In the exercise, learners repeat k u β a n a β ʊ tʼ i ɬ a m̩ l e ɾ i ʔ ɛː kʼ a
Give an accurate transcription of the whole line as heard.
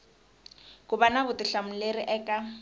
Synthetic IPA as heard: k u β a n a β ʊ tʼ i ɬ a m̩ l e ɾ i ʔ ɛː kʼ a